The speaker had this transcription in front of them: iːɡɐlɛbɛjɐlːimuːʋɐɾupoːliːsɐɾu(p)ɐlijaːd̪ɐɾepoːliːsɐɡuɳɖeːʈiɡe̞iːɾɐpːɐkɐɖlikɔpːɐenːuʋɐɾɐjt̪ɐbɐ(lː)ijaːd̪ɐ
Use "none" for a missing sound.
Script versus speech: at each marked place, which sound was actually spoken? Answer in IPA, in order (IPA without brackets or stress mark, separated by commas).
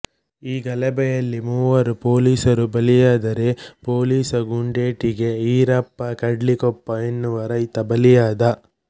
b, l